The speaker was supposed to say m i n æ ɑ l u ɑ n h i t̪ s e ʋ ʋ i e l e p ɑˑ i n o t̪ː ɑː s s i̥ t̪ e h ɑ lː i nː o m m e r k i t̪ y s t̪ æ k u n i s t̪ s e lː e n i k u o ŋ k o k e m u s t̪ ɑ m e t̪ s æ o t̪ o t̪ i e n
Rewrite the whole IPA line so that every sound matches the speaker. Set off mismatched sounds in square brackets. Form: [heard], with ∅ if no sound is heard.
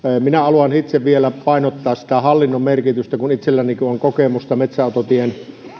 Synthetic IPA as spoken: m i n æ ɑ l u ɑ n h i t̪ s e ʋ ʋ i e l [æ] p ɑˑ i n o t̪ː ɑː s s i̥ t̪ [æ] h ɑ lː i nː o m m e r k i t̪ y s t̪ æ k u n i [∅] t̪ s e lː [æ] n i k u o ŋ k o k e m u s t̪ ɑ m e t̪ s æ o t̪ o t̪ i e n